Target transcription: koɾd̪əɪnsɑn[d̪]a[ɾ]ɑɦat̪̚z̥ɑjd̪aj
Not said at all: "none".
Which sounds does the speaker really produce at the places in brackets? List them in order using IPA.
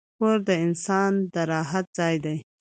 d̪, ɾ

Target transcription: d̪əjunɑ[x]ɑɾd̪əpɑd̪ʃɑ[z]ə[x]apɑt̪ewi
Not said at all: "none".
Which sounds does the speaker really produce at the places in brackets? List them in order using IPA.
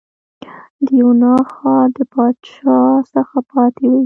x, s, x

